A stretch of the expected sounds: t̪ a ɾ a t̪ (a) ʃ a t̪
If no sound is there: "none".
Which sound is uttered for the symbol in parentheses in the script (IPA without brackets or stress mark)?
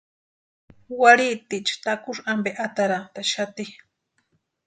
a